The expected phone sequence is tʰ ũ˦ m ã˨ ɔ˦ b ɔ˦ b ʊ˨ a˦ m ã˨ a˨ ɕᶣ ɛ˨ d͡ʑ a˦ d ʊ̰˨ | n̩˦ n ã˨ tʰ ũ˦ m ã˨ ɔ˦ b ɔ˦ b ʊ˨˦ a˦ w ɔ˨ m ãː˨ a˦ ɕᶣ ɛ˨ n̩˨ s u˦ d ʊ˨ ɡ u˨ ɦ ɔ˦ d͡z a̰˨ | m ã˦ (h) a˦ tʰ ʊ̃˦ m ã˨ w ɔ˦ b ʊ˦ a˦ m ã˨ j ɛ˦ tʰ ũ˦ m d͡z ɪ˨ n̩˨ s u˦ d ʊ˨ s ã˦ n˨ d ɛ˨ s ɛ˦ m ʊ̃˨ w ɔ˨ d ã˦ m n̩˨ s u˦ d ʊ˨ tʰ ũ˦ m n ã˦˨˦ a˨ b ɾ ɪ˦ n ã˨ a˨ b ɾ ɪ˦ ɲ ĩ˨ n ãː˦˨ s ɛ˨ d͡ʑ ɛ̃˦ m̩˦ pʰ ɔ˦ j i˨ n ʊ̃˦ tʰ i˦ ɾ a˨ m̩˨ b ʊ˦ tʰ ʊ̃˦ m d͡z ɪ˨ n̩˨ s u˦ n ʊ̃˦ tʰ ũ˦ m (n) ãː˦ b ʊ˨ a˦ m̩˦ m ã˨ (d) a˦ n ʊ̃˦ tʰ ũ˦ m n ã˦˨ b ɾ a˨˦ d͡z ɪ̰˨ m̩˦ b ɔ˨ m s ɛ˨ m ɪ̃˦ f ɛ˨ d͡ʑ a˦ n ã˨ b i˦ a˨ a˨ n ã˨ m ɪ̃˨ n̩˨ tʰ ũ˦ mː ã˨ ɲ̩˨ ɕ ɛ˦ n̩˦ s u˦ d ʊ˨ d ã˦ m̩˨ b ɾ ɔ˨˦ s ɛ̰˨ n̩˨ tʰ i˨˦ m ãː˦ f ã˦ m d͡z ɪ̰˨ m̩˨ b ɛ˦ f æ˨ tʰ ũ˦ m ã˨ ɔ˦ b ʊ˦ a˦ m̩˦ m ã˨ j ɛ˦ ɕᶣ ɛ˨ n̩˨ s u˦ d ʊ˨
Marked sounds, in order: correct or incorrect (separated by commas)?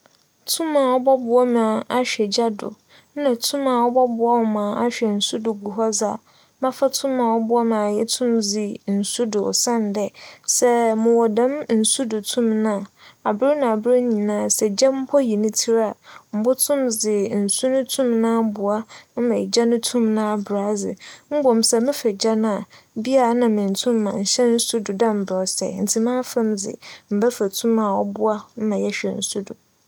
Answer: incorrect, correct, incorrect